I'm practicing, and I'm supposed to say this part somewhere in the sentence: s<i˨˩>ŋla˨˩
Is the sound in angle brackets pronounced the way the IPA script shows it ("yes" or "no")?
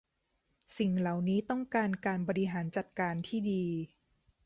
yes